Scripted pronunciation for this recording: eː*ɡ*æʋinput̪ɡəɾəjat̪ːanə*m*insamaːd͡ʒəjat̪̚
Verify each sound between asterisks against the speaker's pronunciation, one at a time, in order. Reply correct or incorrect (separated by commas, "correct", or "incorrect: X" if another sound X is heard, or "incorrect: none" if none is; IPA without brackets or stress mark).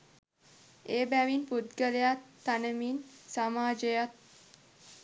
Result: incorrect: b, correct